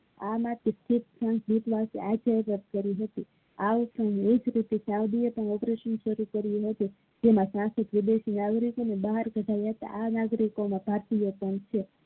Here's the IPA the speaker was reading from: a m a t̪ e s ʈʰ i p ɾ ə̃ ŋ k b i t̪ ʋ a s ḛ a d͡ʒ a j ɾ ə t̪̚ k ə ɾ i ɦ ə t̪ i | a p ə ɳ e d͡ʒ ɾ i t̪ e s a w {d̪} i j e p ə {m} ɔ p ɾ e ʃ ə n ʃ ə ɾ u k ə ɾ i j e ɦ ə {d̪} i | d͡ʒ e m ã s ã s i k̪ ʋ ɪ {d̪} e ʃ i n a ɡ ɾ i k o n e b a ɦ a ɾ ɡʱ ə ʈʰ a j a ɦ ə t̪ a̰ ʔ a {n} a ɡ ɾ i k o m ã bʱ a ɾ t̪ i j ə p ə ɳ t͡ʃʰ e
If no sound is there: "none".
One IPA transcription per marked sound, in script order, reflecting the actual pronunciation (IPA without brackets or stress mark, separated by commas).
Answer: d̪, ɳ, t̪, d̪, n